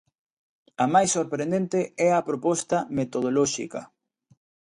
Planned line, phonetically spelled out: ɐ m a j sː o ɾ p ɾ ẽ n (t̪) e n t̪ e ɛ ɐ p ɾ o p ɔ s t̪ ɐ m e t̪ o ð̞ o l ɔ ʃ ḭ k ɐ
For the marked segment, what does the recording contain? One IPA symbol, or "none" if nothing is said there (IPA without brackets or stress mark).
d̪